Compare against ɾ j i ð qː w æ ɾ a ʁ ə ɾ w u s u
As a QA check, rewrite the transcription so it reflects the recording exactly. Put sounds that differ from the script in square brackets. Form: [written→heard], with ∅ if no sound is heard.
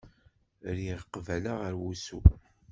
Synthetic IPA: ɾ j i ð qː [w→v] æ [ɾ→l] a ʁ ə ɾ w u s u